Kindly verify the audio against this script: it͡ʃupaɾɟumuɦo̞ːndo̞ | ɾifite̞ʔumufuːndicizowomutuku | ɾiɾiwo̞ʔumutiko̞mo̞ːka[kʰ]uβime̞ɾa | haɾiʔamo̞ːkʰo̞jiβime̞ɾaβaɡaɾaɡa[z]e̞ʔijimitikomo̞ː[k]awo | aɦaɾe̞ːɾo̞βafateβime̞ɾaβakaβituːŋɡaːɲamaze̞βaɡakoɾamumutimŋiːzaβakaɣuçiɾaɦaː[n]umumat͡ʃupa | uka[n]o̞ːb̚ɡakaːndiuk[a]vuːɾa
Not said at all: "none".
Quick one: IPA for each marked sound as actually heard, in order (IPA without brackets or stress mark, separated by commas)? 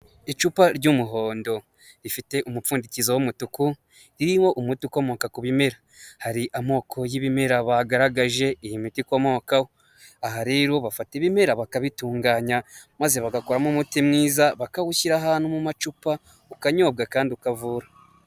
k, ʒ, k, n, ɲ, a